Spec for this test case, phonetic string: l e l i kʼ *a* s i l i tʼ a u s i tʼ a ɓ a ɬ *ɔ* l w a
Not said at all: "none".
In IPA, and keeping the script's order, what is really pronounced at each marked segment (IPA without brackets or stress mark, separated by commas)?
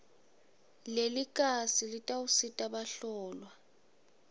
a, ɔː